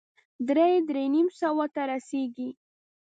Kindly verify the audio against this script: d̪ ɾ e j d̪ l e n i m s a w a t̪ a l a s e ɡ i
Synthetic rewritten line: d̪ ɾ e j d̪ ɾ e n i m s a w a t̪ a ɾ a s e ɡ i